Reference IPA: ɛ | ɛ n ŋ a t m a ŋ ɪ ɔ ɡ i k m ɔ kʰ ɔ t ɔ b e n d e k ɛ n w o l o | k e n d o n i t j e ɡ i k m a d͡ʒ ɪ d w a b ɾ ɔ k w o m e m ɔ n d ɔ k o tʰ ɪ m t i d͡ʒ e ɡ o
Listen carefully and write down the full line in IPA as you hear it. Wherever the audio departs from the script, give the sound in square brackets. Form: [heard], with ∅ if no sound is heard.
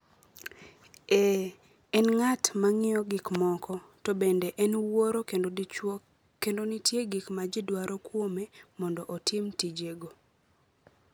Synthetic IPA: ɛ | ɛ n ŋ a t m a ŋ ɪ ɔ ɡ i k m ɔ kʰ ɔ t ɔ b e n d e [ʔ] ɛ n w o [ɾ] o | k e n d o n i t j e ɡ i k m a d͡ʒ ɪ d w a [∅] ɾ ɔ k w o m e m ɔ n d ɔ [ʔ] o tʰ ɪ m t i d͡ʒ e ɡ o